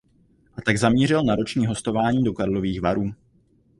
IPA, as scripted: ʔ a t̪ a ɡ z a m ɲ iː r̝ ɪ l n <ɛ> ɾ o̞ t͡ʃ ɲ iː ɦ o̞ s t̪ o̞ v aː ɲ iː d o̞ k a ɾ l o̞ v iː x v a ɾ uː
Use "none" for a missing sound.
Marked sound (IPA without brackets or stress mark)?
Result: a